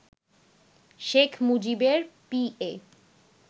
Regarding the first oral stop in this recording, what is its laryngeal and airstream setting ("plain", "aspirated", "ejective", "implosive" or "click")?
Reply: aspirated